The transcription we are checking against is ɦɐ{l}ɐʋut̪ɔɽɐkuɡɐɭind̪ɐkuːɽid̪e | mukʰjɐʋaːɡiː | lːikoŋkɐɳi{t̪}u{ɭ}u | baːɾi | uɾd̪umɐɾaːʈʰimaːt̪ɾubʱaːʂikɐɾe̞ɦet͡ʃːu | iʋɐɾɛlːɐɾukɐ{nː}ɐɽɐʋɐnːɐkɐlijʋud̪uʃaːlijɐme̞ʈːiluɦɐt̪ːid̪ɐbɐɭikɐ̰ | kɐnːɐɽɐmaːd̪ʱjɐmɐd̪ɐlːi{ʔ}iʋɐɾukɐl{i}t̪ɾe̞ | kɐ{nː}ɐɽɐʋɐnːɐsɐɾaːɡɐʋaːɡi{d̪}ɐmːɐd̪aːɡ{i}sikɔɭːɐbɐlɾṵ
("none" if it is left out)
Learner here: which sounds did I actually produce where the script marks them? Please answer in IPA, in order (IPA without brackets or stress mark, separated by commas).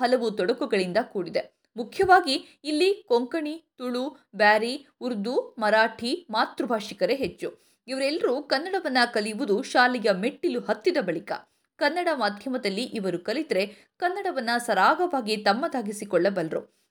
l, t̪, ɭ, nː, ʔ, i, nː, t̪, i